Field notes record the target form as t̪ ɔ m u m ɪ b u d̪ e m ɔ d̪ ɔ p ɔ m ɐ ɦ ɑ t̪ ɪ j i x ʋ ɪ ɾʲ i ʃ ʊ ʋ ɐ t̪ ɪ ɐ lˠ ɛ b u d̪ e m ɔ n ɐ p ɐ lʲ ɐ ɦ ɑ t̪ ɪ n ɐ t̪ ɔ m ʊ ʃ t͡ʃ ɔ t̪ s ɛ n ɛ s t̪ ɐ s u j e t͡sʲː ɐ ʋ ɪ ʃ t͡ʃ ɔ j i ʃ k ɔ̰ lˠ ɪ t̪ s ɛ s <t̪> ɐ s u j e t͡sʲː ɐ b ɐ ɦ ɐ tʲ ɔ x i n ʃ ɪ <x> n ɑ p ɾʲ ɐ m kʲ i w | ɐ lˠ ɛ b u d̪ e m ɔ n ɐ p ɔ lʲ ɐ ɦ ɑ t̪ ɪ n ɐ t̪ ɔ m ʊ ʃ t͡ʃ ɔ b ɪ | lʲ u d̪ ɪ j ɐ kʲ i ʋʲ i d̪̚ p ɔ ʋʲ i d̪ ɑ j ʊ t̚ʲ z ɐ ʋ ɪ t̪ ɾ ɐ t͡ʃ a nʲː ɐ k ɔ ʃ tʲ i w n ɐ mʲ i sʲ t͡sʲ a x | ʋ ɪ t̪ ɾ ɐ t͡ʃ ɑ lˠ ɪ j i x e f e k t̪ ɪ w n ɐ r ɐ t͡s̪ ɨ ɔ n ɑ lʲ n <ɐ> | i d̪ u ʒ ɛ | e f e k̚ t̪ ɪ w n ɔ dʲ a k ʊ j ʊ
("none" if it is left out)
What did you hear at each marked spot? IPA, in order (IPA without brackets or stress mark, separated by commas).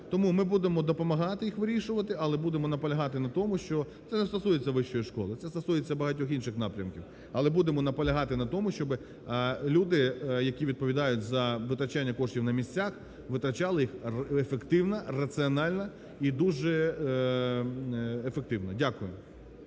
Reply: t̪, x, ɐ